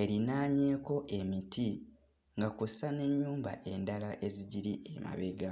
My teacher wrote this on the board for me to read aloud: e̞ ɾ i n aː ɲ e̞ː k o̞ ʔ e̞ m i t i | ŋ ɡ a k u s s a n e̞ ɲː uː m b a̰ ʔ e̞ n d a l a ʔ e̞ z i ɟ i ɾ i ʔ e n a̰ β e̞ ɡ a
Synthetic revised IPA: e̞ ɾ i n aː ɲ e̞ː k o̞ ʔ e̞ m i t i | ŋ ɡ a k u s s a n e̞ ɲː uː m b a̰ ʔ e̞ n d a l a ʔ e̞ z i ɟ i ɾ i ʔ e m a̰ β e̞ ɡ a